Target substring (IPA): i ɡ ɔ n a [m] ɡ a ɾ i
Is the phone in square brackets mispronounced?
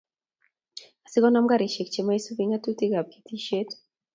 no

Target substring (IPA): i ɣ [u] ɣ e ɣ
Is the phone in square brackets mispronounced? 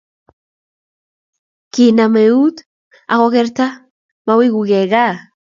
no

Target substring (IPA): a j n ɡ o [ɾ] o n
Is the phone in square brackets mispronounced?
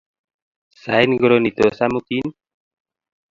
no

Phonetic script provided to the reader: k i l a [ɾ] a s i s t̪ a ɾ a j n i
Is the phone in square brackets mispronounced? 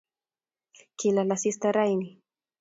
yes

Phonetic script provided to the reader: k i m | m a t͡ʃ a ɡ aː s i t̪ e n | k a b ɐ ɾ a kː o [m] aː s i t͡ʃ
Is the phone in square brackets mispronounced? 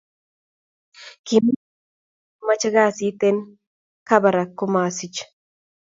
no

